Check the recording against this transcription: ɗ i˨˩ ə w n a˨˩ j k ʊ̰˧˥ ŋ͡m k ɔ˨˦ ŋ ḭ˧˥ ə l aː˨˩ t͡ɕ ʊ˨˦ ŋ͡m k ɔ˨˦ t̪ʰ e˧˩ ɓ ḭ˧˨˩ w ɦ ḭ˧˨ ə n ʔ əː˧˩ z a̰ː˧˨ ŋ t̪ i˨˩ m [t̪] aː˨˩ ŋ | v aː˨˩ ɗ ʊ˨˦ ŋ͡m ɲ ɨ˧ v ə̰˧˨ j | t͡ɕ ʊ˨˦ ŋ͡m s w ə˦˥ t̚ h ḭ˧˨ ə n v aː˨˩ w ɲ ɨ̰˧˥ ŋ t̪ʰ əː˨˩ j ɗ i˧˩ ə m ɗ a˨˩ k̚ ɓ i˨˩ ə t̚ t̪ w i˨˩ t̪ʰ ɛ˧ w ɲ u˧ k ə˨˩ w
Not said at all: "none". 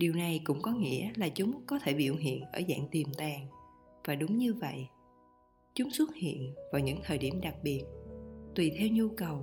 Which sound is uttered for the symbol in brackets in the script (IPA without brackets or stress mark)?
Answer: t̪